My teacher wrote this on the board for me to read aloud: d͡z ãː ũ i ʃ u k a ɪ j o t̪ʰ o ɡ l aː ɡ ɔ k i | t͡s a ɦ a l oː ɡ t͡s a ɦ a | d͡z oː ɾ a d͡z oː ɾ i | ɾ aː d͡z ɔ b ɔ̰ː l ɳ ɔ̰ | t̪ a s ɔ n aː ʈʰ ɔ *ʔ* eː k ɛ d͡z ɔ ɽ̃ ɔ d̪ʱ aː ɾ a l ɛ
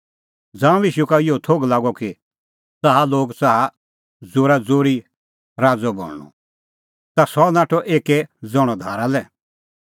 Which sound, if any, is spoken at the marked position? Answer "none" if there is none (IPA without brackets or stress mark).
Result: ʔ